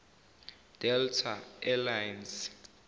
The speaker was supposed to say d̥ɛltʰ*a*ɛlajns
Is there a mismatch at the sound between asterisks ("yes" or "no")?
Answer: no